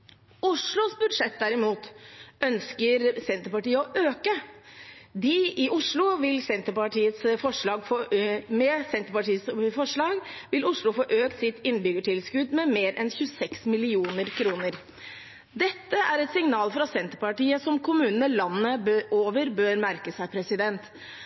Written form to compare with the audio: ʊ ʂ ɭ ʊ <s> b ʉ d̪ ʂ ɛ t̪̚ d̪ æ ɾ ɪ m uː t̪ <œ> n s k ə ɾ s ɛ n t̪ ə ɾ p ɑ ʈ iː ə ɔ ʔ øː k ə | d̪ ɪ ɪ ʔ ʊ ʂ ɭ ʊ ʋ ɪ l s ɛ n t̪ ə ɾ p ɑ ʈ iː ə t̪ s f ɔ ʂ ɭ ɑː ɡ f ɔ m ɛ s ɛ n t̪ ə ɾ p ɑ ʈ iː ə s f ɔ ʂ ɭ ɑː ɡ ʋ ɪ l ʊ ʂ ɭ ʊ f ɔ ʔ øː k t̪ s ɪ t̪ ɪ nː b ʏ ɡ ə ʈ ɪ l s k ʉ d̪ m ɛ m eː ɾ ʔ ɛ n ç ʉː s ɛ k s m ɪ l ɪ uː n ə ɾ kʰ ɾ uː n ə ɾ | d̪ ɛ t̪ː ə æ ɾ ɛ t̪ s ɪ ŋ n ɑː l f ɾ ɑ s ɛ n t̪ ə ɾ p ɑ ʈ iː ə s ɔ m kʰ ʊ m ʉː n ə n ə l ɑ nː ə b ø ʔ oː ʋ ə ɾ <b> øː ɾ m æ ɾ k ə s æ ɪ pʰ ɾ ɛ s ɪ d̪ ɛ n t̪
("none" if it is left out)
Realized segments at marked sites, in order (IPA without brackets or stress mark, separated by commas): s, œ, b